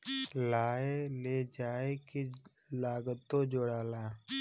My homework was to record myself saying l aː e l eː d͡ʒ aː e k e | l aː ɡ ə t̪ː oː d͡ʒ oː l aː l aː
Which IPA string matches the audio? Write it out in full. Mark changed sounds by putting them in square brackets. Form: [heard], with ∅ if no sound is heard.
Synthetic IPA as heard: l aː e l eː d͡ʒ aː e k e | l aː ɡ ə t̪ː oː d͡ʒ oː [ɽ] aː l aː